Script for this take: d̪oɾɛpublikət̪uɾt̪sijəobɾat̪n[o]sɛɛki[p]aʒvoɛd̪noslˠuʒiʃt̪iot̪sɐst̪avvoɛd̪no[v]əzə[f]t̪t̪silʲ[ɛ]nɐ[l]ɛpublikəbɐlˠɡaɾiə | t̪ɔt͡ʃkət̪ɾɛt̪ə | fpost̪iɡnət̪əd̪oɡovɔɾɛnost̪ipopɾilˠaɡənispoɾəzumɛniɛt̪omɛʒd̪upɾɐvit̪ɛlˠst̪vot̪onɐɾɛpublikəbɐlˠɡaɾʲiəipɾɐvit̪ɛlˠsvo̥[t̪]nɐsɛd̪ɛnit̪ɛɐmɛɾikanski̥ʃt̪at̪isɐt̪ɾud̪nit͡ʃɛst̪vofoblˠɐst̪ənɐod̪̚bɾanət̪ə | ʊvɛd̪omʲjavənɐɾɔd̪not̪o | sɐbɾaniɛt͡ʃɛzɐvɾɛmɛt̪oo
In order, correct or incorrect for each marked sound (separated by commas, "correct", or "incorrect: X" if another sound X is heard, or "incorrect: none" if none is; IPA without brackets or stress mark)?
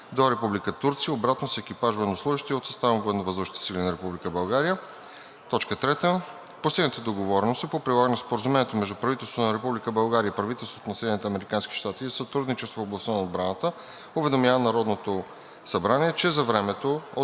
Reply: correct, correct, correct, incorrect: ʃ, incorrect: i, incorrect: ɾ, correct